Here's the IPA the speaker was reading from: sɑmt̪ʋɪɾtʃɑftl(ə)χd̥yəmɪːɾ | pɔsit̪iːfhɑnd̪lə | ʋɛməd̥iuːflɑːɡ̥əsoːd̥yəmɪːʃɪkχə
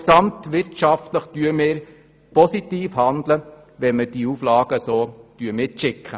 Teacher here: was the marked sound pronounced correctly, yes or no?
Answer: yes